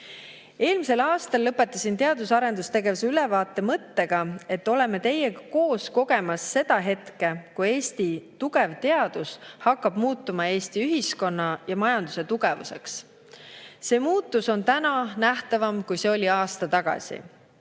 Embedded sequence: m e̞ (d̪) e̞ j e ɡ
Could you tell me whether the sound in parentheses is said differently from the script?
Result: yes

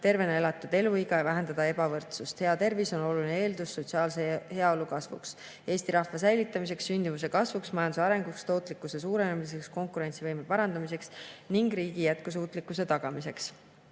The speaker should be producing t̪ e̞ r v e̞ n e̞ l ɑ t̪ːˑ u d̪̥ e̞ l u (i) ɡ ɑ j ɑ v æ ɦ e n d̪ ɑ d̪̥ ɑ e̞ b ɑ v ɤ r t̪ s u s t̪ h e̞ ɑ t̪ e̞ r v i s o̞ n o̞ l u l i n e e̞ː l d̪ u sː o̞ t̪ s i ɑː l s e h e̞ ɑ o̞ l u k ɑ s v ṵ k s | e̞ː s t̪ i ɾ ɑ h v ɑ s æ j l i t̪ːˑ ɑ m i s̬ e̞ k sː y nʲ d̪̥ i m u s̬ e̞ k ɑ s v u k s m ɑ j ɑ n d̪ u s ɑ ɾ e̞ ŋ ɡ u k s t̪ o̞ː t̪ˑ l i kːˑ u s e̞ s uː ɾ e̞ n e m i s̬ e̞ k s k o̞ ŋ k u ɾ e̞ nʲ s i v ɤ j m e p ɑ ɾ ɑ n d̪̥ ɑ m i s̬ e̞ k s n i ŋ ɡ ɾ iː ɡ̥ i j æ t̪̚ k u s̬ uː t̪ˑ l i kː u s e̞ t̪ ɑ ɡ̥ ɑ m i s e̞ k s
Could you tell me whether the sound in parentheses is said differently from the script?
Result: no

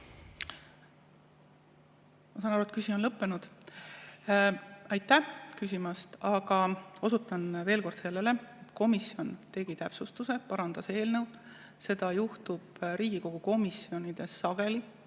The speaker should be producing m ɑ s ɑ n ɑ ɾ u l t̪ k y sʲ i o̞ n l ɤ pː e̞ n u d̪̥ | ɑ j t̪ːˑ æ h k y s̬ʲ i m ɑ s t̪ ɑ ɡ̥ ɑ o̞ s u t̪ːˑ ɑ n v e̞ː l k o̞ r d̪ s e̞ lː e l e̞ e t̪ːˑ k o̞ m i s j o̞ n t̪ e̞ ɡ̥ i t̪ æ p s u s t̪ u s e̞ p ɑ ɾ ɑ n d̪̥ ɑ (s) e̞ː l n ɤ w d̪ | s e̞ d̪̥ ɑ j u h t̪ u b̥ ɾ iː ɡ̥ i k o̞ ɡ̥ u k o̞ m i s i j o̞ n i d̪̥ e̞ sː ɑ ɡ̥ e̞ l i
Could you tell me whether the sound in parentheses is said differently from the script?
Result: no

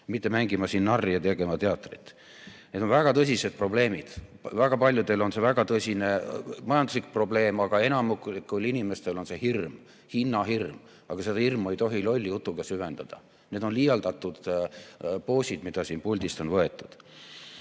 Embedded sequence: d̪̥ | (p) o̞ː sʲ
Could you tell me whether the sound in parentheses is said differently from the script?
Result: no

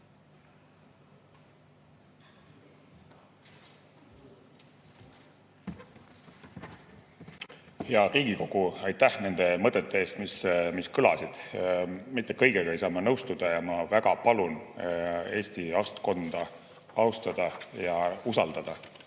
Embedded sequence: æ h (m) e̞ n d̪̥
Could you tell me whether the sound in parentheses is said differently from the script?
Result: yes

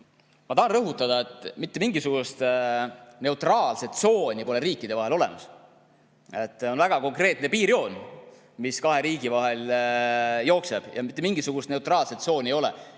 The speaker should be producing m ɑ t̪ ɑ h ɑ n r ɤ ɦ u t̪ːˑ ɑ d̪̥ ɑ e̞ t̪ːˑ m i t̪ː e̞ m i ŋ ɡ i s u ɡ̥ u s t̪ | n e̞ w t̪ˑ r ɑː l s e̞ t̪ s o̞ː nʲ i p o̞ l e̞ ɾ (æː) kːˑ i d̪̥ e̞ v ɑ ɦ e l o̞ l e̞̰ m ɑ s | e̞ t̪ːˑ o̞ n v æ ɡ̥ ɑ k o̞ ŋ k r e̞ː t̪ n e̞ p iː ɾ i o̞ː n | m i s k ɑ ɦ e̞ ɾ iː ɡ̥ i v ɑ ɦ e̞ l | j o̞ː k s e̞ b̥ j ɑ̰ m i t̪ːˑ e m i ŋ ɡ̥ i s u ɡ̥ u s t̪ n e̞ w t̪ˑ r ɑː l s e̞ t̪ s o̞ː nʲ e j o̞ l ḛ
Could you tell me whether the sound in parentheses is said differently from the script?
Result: yes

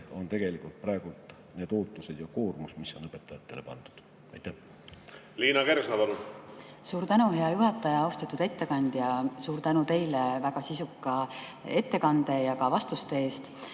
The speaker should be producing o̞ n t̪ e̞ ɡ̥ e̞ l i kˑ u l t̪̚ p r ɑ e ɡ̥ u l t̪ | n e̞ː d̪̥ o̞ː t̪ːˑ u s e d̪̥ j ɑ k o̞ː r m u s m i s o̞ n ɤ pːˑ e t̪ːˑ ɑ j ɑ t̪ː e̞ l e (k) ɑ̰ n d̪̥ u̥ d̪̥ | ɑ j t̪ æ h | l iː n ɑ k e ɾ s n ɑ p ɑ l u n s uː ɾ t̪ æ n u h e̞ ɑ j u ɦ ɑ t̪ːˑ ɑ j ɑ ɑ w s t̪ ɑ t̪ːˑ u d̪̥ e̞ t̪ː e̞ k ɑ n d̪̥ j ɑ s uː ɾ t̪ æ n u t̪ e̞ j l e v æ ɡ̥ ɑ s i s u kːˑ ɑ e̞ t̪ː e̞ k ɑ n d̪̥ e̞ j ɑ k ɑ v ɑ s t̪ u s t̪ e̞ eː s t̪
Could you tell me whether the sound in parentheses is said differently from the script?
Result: yes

